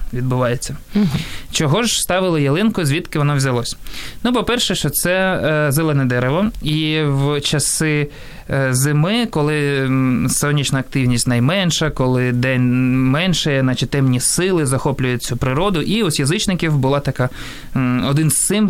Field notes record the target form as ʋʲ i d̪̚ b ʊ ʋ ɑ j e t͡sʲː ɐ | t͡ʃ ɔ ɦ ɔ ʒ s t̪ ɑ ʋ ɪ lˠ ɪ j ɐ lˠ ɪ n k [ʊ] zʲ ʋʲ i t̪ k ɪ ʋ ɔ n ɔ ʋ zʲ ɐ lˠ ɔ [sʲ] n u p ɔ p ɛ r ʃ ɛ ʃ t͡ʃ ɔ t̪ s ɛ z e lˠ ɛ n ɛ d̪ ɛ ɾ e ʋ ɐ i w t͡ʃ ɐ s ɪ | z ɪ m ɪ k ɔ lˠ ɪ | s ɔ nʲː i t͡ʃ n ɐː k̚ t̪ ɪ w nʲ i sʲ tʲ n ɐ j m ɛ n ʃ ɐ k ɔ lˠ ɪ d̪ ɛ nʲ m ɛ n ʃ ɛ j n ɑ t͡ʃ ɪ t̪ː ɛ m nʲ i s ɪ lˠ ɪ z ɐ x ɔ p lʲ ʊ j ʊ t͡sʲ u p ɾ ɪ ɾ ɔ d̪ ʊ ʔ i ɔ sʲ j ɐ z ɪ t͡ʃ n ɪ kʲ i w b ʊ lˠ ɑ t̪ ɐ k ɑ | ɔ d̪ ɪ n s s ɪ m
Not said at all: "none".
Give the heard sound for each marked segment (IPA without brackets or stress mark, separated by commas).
ʊ, sʲ